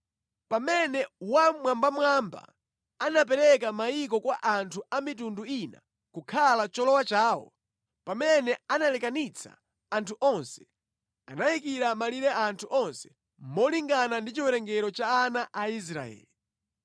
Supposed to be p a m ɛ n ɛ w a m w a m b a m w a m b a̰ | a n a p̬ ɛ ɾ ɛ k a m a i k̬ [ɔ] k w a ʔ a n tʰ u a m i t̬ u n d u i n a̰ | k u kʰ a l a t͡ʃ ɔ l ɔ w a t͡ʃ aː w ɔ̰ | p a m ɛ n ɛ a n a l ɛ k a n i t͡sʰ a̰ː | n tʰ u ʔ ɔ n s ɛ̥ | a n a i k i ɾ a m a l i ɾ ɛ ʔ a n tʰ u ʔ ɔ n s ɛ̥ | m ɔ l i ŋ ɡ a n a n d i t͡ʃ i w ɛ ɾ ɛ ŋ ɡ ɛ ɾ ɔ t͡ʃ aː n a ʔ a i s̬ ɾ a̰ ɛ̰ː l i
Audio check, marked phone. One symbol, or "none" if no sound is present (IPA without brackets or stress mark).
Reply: ɔ